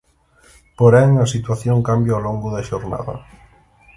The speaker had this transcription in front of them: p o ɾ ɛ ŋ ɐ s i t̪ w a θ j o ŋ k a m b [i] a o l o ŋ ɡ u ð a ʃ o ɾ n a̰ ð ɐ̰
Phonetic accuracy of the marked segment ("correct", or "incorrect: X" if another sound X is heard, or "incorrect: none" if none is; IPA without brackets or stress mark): incorrect: j